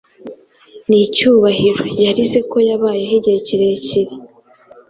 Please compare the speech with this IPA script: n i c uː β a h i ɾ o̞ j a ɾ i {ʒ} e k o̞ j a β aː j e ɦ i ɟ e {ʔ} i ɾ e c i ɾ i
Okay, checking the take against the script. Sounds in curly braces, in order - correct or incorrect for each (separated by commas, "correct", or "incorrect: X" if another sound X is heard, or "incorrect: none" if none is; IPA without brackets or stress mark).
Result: incorrect: z, incorrect: c